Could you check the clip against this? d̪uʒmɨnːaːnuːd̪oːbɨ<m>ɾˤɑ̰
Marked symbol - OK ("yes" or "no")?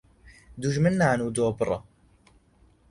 no